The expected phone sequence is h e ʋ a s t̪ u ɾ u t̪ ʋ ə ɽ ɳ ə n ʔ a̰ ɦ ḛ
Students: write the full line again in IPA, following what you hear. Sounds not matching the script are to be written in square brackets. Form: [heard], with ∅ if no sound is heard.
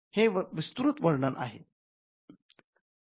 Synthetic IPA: h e ʋ [i] s t̪ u ɾ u t̪ ʋ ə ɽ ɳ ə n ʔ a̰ ɦ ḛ